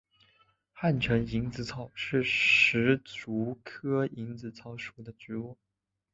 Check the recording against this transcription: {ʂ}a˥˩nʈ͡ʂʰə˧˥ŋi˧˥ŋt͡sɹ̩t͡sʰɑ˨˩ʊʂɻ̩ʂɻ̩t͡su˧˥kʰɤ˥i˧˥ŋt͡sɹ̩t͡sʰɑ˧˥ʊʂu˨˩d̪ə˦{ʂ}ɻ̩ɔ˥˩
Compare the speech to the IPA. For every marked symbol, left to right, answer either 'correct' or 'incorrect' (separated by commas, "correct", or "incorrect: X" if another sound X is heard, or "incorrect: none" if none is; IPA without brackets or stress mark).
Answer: incorrect: x, incorrect: ʈ͡ʂ